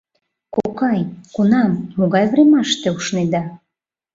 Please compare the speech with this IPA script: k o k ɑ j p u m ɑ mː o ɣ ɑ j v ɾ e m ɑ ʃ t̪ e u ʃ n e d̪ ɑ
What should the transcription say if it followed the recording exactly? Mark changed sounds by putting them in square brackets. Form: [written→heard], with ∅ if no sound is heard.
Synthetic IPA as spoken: k o k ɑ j [p→k] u [m→n] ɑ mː o ɣ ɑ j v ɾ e m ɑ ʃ t̪ e u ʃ n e d̪ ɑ